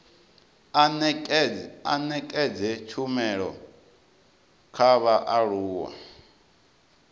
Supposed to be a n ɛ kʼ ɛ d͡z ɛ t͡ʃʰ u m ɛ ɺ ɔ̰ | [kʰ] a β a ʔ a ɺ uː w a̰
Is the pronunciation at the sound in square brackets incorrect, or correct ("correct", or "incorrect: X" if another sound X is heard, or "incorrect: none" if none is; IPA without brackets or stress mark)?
correct